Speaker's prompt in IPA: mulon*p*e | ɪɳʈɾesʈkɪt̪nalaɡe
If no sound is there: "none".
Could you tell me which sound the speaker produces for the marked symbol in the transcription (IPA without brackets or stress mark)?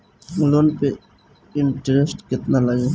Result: p